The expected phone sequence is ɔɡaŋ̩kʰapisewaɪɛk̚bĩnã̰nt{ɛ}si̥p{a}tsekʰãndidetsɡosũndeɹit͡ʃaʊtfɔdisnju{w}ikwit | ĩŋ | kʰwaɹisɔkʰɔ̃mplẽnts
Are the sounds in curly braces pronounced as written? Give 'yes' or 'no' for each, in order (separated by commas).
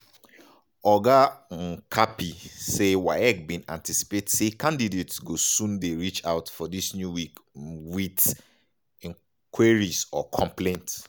no, no, yes